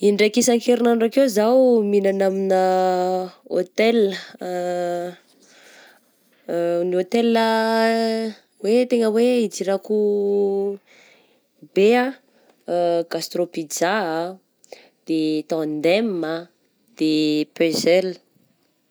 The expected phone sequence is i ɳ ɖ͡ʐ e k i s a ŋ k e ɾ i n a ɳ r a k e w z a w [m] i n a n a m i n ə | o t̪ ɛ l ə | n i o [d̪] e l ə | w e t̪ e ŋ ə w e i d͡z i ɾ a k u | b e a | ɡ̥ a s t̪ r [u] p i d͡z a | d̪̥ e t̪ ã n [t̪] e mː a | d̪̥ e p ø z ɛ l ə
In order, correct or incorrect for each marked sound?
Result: correct, incorrect, incorrect, incorrect

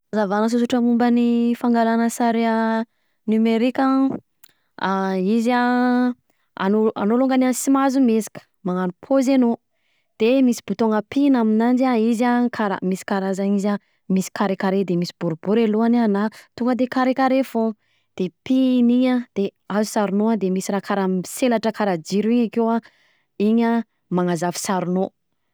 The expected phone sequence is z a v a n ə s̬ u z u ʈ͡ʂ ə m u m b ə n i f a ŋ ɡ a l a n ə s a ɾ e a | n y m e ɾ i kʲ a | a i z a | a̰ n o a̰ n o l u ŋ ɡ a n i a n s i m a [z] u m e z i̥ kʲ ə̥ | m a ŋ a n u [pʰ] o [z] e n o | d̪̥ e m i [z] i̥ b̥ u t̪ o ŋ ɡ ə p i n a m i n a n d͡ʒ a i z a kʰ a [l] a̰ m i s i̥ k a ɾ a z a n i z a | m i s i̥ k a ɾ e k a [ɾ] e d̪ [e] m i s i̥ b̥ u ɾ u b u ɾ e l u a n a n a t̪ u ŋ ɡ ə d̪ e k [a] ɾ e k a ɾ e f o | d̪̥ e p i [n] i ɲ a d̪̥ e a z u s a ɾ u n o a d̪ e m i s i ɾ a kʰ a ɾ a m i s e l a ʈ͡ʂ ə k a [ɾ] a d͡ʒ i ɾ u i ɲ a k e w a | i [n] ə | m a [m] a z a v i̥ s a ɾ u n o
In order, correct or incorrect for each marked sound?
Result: correct, correct, correct, incorrect, incorrect, correct, correct, correct, correct, correct, incorrect, incorrect

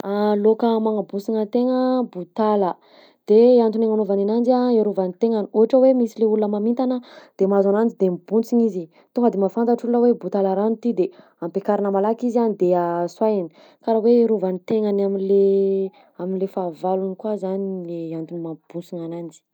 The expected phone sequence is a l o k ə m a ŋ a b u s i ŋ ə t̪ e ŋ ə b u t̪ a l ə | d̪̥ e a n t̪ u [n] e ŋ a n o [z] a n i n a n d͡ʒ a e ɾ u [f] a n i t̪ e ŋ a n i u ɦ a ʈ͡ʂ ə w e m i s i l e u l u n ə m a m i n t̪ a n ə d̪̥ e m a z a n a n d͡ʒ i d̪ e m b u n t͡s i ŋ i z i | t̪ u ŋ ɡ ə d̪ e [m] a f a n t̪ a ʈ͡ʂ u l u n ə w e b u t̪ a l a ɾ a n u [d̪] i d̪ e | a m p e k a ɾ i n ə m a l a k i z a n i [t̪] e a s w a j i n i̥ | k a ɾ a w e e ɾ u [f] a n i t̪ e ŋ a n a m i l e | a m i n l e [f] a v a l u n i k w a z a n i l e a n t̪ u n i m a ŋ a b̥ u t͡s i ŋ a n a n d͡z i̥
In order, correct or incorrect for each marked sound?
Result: correct, incorrect, incorrect, correct, incorrect, incorrect, incorrect, correct

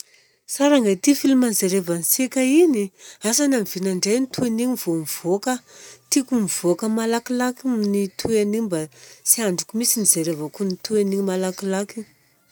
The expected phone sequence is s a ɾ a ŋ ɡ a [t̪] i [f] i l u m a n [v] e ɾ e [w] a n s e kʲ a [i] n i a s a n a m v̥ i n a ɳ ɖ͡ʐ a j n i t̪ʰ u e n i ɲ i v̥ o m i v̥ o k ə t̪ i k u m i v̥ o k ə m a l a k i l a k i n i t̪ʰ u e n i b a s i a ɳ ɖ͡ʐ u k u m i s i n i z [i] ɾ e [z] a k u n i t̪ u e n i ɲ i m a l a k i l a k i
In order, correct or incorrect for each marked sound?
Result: correct, correct, incorrect, incorrect, correct, incorrect, incorrect

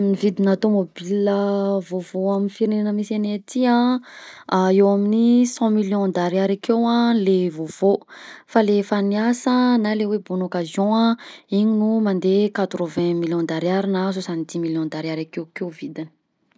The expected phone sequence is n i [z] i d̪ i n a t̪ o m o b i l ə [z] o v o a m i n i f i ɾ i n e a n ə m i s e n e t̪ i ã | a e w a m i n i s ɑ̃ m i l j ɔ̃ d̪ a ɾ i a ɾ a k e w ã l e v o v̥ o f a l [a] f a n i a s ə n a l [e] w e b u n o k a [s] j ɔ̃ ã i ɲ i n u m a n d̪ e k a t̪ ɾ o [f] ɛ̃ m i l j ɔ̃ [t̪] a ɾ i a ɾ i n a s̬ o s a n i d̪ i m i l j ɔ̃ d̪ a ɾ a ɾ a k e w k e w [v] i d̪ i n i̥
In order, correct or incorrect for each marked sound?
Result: incorrect, incorrect, incorrect, correct, incorrect, incorrect, incorrect, correct

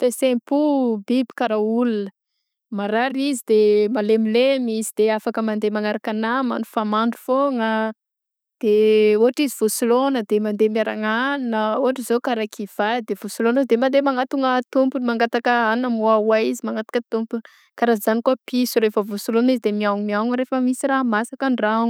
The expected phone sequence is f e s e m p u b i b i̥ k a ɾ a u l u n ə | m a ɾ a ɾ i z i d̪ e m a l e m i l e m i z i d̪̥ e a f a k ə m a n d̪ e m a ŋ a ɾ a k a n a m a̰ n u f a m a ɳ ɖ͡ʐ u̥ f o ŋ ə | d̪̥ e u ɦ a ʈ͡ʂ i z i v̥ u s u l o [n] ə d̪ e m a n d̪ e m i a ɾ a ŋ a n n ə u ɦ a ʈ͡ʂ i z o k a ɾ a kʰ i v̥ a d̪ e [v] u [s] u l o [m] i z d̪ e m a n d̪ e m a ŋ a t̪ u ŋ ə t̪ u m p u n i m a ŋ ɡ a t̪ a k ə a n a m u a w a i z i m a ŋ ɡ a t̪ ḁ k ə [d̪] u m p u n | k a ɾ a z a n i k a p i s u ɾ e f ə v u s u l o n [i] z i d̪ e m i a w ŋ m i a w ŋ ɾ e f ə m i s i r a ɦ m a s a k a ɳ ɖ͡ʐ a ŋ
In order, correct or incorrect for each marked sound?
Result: correct, correct, correct, incorrect, incorrect, correct

